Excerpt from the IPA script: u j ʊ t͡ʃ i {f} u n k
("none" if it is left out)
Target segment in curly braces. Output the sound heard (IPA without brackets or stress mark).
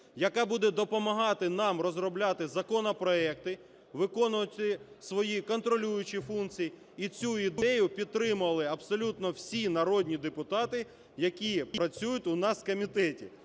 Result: f